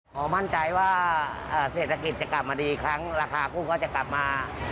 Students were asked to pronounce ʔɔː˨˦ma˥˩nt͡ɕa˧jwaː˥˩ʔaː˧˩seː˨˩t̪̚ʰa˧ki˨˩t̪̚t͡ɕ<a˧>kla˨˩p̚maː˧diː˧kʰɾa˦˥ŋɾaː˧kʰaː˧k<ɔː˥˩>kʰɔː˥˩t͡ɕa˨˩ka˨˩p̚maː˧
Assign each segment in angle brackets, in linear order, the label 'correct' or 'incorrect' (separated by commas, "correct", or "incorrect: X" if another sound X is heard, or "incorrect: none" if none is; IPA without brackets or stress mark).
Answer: incorrect: a˨˩, incorrect: uː˥˩